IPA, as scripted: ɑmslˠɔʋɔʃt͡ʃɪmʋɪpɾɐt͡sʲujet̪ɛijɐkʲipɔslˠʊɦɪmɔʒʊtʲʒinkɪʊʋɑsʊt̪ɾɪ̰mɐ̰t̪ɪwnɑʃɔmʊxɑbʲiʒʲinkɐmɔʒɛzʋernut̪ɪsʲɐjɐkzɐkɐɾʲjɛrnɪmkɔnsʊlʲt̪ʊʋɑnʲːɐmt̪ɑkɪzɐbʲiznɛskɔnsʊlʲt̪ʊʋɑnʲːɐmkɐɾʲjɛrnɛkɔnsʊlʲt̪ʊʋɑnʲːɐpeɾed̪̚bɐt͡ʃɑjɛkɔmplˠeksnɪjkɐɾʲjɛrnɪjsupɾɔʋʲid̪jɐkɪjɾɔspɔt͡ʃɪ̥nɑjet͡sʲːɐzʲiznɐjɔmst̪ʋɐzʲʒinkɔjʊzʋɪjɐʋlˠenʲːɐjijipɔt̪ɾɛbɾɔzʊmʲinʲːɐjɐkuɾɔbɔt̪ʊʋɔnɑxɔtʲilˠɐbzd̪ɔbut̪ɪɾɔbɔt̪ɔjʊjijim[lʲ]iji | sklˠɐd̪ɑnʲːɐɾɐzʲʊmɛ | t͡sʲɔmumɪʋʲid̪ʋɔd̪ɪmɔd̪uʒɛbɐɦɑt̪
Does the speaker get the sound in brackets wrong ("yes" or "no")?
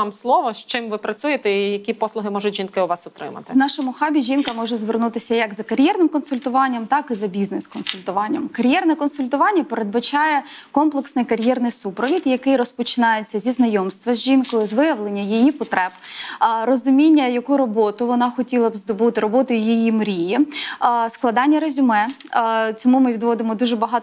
yes